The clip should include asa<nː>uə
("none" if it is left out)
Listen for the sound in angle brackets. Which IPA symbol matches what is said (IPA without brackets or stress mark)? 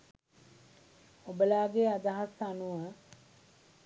n